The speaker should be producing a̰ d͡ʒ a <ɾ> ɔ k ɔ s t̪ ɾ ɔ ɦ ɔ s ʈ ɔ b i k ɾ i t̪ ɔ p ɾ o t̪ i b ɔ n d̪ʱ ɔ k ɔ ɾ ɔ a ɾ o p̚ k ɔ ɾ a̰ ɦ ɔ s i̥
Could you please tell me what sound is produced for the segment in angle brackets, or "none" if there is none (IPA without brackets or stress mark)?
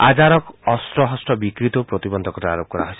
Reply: ɾ